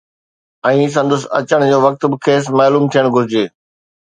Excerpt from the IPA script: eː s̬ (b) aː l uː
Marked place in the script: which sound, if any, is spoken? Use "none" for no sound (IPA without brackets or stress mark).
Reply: m